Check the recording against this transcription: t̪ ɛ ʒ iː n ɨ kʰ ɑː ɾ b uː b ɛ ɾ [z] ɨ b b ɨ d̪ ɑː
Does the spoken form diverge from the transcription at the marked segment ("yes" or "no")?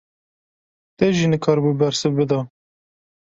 yes